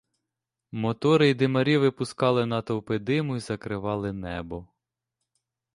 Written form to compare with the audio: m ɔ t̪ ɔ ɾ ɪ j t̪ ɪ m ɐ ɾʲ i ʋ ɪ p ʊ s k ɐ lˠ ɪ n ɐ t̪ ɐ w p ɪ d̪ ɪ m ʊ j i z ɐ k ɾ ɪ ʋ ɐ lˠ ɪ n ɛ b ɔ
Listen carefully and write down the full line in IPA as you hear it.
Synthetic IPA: m ɔ t̪ ɔ ɾ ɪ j d̪ ɪ m ɐ ɾʲ i ʋ ɪ p ʊ s k ɑ lˠ ɪ n ɐ t̪ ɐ w p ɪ d̪ ɪ m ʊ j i z ɐ k ɾ ɪ ʋ ɑ lˠ ɪ n ɛ b ɔ